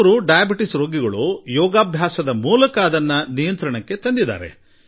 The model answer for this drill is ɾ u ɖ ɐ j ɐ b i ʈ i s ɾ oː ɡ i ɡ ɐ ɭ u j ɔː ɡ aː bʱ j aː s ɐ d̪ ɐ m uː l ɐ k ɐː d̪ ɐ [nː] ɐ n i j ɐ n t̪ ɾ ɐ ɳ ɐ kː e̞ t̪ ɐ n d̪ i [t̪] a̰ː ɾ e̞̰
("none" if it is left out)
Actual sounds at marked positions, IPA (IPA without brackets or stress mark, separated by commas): nː, d̪